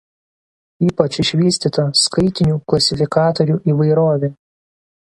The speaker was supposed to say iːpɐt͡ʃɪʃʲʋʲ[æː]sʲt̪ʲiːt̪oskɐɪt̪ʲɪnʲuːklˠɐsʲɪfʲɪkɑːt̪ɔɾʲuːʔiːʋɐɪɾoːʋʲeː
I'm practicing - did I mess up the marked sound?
yes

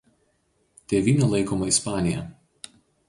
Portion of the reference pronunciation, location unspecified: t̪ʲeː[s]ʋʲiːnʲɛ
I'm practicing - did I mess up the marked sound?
yes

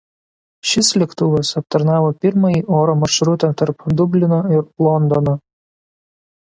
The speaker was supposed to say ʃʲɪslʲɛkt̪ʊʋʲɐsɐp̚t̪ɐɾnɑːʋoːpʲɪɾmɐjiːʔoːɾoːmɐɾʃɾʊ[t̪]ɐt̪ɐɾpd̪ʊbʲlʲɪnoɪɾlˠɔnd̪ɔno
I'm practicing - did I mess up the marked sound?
no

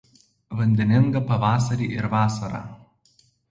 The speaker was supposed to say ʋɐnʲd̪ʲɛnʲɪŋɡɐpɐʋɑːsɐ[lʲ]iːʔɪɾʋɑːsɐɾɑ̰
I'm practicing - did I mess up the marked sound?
yes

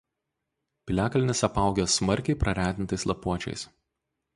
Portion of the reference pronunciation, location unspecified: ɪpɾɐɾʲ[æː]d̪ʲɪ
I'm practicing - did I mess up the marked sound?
no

